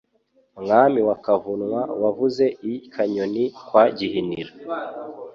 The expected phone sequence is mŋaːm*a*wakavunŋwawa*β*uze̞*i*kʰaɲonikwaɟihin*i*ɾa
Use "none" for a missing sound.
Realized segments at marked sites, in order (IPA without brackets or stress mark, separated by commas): i, v, i, i